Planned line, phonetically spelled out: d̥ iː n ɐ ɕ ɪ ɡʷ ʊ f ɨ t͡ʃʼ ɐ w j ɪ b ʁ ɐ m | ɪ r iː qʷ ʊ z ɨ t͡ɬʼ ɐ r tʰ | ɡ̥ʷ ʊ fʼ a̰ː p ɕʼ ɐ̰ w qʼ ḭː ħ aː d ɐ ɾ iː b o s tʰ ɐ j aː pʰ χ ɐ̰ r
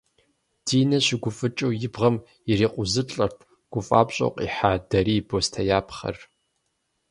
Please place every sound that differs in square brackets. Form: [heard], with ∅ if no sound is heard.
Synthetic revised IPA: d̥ iː n ɐ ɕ ɪ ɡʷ ʊ f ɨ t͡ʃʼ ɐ w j ɪ b ʁ ɐ m | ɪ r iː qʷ ʊ z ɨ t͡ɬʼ ɐ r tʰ | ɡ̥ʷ ʊ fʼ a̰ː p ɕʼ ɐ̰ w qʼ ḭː ħ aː d ɐ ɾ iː b o s tʰ ɐ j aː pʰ χ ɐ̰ r